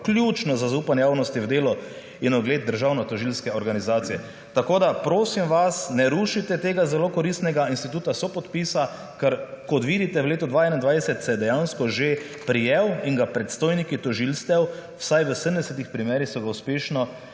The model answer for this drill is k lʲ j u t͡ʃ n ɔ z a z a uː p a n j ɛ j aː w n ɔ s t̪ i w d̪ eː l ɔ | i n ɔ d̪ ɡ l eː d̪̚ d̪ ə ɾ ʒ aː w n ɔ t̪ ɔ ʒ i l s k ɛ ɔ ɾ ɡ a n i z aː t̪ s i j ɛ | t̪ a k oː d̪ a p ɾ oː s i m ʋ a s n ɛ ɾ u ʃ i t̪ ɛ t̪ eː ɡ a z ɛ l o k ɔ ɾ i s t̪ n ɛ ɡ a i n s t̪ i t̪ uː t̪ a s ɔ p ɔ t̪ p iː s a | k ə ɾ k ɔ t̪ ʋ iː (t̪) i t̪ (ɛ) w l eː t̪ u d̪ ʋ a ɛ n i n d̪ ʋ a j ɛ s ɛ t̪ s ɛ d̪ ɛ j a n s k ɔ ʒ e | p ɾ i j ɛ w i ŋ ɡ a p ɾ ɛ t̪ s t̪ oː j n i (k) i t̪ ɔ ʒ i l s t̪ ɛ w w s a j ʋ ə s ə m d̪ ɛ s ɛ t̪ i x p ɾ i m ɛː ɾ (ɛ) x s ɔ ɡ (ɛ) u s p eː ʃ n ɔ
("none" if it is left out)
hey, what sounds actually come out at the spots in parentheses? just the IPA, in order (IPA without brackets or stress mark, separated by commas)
d̪, ɛ, k, i, a